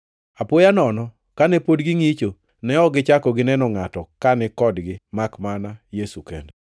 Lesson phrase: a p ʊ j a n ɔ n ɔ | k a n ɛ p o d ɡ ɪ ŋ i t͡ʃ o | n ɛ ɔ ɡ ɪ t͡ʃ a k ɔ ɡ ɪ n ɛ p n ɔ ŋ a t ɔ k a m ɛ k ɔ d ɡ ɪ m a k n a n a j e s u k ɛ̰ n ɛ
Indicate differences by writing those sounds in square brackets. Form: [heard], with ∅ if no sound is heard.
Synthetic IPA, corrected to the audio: a p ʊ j a n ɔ n ɔ | k a n ɛ p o d ɡ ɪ ŋ i t͡ʃ o | n ɛ ɔ ɡ ɪ t͡ʃ a k ɔ ɡ ɪ n ɛ [∅] n ɔ ŋ a t ɔ k a [n] ɛ k ɔ d ɡ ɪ m a k [m] a n a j e s u k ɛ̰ n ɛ

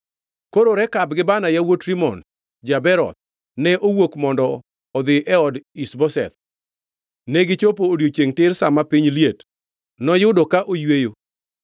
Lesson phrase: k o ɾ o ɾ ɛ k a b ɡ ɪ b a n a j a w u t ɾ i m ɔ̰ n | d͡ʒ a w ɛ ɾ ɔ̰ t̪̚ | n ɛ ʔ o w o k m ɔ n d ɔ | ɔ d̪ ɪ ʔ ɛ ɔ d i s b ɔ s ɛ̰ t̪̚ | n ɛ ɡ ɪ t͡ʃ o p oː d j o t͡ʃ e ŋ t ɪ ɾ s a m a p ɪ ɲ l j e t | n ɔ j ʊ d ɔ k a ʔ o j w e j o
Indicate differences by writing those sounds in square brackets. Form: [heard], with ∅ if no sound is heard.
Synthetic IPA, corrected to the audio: k o ɾ o ɾ ɛ k a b ɡ ɪ b a n a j a w [o] t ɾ i m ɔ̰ n | d͡ʒ a [b] ɛ ɾ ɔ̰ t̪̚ | n ɛ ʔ o w o k m ɔ n d ɔ | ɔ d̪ ɪ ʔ ɛ ɔ d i s b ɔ s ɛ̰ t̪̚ | n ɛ ɡ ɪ t͡ʃ o p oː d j o t͡ʃ e ŋ t ɪ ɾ s a m a p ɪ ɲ l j e t | n ɔ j ʊ d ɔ k a ʔ o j w e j o

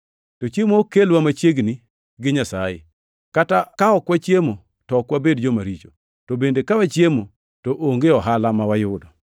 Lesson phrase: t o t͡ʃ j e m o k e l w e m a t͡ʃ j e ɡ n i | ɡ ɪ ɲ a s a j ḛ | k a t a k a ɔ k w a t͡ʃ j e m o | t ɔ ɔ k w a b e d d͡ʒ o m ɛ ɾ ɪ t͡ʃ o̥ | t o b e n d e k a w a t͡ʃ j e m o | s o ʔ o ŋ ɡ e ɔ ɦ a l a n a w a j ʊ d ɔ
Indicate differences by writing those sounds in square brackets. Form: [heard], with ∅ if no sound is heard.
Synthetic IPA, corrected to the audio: t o t͡ʃ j e m o k e l w [a] m a t͡ʃ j e ɡ n i | ɡ ɪ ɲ a s a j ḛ | k a t a k a ɔ k w a t͡ʃ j e m o | t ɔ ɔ k w a b e d d͡ʒ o m [a] ɾ [i] t͡ʃ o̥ | t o b e n d e k a w a t͡ʃ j e m o | [t] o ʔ o ŋ ɡ e ɔ ɦ a l a [m] a w a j ʊ d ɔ

